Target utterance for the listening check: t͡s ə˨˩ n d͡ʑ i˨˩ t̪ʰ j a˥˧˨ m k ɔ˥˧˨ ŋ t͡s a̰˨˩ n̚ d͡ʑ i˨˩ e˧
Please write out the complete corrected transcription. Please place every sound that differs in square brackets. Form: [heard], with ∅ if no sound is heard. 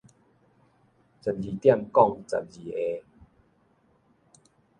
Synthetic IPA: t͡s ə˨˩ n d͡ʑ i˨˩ [t̪] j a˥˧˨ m k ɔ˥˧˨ ŋ t͡s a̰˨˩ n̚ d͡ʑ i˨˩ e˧